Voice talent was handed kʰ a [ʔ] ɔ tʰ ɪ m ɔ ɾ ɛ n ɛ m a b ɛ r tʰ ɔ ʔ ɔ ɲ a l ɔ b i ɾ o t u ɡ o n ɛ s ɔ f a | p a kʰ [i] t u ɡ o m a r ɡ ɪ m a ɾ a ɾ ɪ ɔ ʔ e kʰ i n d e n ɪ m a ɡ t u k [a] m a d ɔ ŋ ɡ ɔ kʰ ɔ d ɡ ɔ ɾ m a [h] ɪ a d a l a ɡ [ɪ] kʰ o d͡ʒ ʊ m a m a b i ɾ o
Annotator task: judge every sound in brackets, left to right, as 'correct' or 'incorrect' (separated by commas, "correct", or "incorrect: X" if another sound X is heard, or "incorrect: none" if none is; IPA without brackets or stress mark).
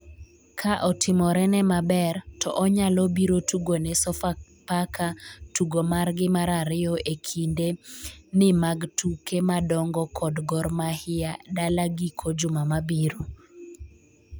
correct, incorrect: a, incorrect: e, correct, incorrect: i